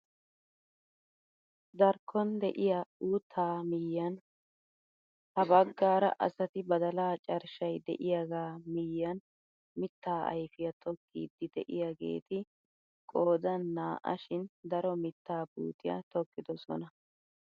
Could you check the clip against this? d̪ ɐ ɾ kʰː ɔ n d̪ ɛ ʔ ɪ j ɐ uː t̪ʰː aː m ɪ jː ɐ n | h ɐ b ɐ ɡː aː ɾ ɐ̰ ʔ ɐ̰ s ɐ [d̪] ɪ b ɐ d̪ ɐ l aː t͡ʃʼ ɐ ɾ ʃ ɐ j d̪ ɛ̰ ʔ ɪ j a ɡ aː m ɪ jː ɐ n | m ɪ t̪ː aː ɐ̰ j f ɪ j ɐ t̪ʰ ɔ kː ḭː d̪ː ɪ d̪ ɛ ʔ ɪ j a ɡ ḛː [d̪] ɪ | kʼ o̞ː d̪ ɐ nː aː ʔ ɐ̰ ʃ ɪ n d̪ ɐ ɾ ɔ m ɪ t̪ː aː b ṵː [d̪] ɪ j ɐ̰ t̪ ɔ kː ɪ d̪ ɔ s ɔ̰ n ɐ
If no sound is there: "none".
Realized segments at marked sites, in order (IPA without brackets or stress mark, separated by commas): t̪, t̪, t̪